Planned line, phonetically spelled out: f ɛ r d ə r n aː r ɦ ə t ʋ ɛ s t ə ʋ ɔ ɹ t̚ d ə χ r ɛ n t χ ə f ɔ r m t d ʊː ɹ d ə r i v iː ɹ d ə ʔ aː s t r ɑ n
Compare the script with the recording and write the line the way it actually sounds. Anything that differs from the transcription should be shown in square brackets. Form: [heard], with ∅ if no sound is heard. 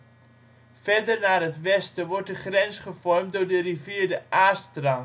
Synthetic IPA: f ɛ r d ə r n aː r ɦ ə t ʋ ɛ s t ə ʋ ɔ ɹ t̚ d ə χ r ɛ n [s] χ ə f ɔ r m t d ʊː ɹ d ə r i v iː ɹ d ə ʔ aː s t r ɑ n